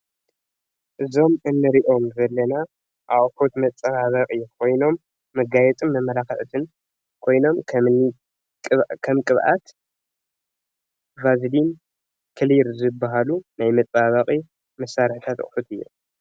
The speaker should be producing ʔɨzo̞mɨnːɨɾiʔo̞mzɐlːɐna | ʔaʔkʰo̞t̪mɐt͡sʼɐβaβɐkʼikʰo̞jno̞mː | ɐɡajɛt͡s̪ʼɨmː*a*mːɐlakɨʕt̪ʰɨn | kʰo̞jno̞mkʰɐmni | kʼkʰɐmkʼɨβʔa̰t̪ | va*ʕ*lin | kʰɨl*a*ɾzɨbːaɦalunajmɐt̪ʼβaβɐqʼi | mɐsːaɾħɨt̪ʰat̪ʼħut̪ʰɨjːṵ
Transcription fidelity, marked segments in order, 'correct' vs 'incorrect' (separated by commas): incorrect, incorrect, incorrect